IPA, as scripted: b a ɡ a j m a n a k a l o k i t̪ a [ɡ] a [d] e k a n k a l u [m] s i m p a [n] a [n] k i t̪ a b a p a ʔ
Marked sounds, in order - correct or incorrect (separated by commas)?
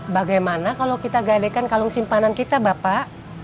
correct, correct, incorrect, correct, correct